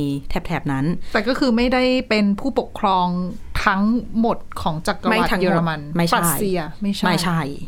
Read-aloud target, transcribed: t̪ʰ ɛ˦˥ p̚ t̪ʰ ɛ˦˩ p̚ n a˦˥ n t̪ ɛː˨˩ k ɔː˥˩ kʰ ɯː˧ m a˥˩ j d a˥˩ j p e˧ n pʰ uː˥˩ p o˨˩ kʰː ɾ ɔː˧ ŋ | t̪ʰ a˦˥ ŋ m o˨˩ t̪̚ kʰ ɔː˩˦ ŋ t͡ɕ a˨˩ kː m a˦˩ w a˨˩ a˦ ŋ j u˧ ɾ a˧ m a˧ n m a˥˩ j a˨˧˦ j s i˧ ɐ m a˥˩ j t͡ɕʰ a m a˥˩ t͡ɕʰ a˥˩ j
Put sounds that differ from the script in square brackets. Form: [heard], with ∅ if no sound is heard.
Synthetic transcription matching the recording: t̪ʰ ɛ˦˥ p̚ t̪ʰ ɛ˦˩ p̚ n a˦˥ n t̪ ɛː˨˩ k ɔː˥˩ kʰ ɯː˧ m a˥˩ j d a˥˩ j p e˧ n pʰ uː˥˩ p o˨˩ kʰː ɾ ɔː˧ ŋ | t̪ʰ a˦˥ ŋ m o˨˩ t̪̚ kʰ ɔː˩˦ ŋ t͡ɕ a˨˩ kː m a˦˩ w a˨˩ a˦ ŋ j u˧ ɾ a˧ m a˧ n m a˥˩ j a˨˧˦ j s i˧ ɐ m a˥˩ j t͡ɕʰ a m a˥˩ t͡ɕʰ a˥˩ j